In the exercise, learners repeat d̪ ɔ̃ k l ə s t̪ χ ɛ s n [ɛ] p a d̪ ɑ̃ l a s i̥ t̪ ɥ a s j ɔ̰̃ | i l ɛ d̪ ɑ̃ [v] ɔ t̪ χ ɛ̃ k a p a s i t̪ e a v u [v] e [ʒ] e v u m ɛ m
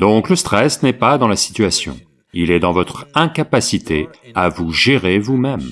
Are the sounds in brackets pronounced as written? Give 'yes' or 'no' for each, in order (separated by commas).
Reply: yes, yes, no, no